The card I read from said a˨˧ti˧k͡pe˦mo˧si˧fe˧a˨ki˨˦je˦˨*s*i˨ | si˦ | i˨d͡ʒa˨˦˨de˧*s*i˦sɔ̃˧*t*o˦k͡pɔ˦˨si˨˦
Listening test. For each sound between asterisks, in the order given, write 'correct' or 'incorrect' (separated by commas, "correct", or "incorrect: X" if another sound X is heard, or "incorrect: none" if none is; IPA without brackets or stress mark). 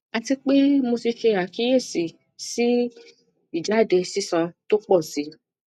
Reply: correct, correct, correct